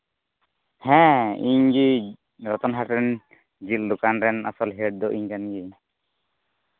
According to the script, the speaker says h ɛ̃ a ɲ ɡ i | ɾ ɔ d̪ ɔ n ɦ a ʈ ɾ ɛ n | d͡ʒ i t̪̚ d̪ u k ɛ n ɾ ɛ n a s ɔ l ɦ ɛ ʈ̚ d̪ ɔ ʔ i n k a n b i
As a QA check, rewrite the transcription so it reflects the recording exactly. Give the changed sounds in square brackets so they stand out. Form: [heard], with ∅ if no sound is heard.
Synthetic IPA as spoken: h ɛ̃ [i] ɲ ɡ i | ɾ ɔ [t̪] ɔ n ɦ a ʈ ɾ ɛ n | d͡ʒ i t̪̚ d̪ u k [a] n ɾ ɛ n a s ɔ l ɦ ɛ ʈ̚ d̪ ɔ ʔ i [ɲ] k a n [ɡ] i